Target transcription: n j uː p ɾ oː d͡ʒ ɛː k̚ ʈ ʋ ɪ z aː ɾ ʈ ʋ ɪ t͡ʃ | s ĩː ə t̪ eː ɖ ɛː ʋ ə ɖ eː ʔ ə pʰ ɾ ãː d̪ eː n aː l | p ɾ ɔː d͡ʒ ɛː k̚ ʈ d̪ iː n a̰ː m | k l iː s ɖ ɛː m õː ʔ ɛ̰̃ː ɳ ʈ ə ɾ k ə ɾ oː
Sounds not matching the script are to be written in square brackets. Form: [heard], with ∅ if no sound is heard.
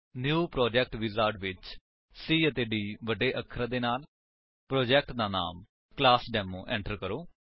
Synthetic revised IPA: n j uː p ɾ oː d͡ʒ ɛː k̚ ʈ ʋ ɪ z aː ɾ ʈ ʋ ɪ t͡ʃ | s [iː] ə t̪ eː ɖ [iː] ʋ ə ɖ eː ʔ ə [kʰ] ɾ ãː d̪ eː n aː l | p ɾ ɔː d͡ʒ ɛː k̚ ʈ d̪ [aː] n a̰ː m | k l [aː] s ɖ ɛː m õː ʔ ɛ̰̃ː ɳ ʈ ə ɾ k ə ɾ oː